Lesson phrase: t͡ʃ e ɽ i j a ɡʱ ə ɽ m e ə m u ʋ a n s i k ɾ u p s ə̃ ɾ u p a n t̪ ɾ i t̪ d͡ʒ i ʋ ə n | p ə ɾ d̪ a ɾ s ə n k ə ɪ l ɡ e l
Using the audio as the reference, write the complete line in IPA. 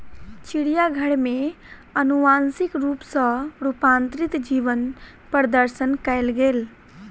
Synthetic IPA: t͡ʃ i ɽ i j a ɡʱ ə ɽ m e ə n u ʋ a n s i k ɾ u p s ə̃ ɾ u p a n t̪ ɾ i t̪ d͡ʒ i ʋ ə n | p ə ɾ d̪ ə ɾ s ə n k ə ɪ l ɡ e l